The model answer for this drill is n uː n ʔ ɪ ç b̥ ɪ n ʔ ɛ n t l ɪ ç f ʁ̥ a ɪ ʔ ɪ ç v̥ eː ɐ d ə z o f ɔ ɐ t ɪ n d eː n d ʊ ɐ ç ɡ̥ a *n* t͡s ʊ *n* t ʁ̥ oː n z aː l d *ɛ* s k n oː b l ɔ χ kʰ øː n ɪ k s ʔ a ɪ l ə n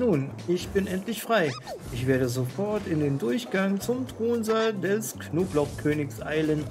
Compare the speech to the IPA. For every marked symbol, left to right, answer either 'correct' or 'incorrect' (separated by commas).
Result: incorrect, incorrect, correct